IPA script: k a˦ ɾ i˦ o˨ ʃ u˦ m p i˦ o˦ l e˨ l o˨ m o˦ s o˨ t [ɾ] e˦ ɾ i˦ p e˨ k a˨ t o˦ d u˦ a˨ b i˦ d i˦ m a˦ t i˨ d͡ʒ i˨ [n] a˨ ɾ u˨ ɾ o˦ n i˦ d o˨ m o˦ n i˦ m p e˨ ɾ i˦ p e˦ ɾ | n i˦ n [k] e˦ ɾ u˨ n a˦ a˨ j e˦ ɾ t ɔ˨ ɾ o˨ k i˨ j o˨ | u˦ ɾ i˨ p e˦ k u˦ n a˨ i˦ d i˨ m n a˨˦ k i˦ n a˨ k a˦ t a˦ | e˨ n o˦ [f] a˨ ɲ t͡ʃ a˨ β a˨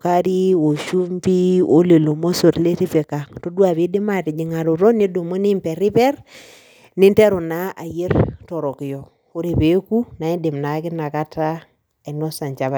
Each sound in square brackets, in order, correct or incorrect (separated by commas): incorrect, incorrect, incorrect, incorrect